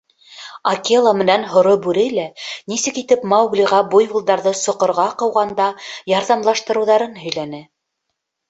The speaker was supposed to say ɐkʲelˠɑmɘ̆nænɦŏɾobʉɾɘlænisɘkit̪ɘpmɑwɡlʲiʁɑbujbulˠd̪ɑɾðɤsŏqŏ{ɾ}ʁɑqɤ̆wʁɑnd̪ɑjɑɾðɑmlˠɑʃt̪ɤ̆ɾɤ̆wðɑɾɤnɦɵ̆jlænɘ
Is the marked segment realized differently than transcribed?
no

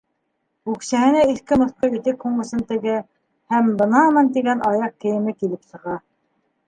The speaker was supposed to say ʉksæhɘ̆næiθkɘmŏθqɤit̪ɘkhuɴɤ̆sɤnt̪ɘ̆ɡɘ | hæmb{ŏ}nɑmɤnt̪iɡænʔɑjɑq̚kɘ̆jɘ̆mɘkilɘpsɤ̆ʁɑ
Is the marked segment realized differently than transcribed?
yes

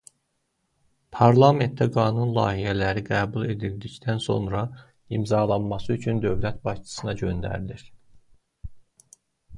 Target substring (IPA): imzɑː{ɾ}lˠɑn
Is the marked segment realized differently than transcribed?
yes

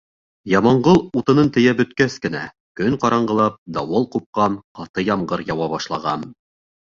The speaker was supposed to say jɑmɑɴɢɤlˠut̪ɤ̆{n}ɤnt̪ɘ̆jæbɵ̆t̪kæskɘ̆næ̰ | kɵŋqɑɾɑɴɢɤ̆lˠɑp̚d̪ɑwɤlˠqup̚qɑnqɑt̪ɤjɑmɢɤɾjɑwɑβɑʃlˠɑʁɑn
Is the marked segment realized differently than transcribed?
no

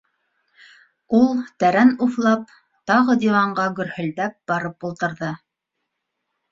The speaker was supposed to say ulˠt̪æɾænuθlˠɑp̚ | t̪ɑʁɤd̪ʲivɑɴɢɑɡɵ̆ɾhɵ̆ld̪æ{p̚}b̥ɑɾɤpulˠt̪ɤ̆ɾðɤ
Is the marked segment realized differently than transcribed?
no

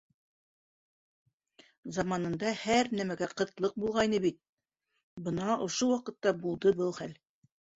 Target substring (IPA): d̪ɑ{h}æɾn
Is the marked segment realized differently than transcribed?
no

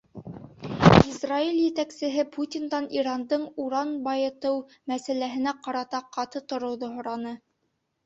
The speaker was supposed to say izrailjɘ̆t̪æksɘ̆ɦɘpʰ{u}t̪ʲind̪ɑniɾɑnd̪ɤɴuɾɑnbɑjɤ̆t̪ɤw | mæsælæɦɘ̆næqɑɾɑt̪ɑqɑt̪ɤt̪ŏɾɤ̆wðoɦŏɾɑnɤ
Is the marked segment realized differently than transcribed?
no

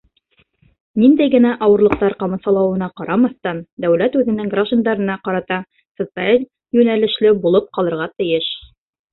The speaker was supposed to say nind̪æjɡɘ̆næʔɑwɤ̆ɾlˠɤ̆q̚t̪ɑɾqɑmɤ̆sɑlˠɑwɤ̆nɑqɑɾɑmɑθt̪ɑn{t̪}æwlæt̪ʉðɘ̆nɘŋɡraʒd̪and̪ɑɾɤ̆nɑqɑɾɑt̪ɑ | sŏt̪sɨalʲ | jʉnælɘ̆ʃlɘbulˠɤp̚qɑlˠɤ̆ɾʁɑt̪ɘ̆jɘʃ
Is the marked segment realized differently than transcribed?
yes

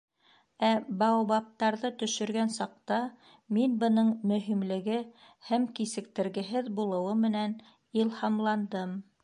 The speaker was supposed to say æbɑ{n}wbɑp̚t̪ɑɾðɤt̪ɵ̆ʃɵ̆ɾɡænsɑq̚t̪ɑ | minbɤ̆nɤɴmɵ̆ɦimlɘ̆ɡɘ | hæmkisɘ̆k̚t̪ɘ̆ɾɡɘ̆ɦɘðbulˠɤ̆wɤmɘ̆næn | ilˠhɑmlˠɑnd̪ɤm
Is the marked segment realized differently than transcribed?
yes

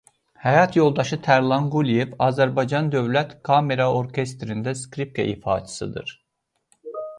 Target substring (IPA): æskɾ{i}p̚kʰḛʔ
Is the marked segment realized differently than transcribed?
no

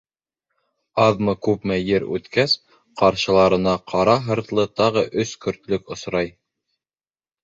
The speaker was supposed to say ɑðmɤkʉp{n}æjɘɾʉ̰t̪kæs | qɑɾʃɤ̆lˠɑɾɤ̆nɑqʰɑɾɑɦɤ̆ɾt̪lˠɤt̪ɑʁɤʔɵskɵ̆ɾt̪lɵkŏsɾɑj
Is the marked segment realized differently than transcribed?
yes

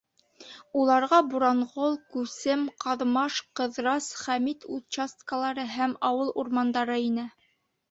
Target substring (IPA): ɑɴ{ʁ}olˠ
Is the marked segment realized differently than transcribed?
no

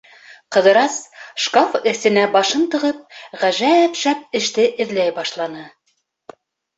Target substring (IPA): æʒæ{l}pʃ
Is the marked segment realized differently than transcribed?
yes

